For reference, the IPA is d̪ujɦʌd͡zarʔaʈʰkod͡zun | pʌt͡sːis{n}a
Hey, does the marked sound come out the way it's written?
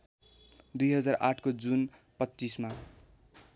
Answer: no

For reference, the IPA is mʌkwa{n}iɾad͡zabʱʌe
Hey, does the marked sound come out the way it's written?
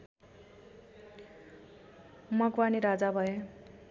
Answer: yes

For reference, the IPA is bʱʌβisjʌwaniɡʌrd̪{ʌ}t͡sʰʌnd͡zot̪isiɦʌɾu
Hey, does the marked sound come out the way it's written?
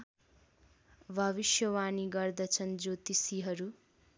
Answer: yes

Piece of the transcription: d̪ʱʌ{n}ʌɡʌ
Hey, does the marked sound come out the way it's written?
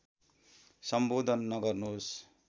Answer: no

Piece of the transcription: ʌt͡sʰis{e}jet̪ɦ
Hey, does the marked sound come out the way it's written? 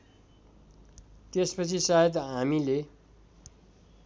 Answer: no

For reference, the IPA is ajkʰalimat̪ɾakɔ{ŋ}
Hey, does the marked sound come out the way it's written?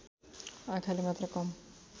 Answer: no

